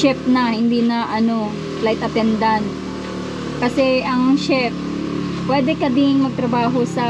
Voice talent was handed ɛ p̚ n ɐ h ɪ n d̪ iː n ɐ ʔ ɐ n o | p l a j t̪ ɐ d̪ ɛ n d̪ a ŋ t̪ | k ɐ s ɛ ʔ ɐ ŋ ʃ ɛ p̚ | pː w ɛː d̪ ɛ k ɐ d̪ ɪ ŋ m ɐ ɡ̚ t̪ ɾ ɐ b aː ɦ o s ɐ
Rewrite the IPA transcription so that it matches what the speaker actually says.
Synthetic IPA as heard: ɛ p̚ n ɐ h ɪ n d̪ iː n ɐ ʔ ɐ n o | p l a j t̪ ɐ t̪ ɛ n d̪ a n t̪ | k ɐ s ɛ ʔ ɐ ŋ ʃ ɛ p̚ | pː w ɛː d̪ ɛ k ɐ d̪ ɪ ŋ m ɐ ɡ̚ t̪ ɾ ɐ b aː ɦ o s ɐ